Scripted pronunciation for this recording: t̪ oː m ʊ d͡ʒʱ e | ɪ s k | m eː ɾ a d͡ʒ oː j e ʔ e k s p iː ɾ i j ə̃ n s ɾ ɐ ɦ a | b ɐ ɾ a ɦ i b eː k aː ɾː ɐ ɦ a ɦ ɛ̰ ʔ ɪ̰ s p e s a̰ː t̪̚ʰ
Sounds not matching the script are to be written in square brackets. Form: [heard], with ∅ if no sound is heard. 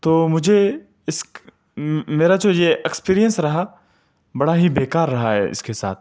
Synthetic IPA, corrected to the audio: t̪ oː m ʊ d͡ʒʱ e | ɪ s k | m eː ɾ a d͡ʒ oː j e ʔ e k s p iː ɾ i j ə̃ n s ɾ ɐ ɦ a | b ɐ [ɽ] a ɦ i b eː k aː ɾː ɐ ɦ a ɦ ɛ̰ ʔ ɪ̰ s [k] e s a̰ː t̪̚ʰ